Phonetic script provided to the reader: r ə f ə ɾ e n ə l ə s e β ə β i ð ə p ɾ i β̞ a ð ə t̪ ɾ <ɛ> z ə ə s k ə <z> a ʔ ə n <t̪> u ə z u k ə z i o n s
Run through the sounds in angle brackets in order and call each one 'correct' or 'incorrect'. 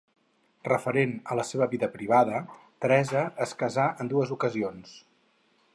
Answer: correct, correct, incorrect: d̪

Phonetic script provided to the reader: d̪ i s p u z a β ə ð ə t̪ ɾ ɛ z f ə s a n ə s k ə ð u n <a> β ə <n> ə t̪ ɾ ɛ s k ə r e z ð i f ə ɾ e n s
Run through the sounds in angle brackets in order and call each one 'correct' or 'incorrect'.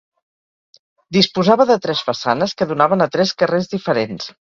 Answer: correct, correct

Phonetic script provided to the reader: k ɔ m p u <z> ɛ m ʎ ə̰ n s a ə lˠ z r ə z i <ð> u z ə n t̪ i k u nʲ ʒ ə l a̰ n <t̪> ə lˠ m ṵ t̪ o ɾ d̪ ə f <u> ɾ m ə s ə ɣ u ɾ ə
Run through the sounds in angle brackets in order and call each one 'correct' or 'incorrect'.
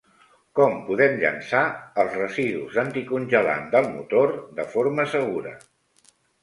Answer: incorrect: ð, correct, incorrect: d̪, incorrect: o

